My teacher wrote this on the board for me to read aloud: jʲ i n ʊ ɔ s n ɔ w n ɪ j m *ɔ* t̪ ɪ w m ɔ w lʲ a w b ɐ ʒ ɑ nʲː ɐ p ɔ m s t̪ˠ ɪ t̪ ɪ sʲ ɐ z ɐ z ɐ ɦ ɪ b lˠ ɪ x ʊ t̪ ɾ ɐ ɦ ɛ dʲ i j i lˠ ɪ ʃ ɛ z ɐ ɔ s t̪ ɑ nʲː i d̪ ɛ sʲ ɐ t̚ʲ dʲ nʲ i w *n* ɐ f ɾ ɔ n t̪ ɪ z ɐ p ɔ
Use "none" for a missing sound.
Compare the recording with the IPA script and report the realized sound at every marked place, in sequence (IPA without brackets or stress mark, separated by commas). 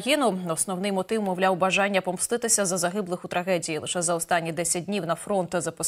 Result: ɔ, n